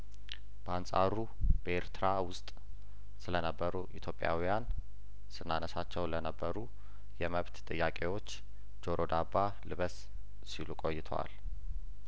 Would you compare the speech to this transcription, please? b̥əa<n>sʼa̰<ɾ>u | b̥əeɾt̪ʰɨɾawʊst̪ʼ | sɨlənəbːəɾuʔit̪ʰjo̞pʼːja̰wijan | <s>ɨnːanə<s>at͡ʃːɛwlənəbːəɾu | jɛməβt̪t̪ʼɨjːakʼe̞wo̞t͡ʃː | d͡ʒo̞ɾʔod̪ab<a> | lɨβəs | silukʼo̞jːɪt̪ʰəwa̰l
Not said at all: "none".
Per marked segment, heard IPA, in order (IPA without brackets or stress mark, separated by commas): n, ɾ, s, s, a